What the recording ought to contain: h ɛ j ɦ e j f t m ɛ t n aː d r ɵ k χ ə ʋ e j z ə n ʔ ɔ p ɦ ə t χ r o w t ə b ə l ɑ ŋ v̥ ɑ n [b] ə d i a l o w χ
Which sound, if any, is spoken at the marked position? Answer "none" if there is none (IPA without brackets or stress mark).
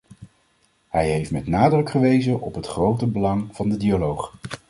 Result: d